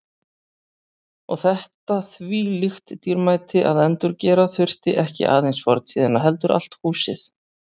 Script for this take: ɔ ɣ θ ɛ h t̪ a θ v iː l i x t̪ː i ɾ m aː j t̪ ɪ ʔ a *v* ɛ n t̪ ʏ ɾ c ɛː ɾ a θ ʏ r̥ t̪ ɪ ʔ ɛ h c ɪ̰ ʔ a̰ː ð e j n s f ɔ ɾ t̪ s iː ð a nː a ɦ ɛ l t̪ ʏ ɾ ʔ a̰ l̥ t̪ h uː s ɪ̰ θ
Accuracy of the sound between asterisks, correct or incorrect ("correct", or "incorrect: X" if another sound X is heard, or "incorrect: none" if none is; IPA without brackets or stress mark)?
incorrect: ð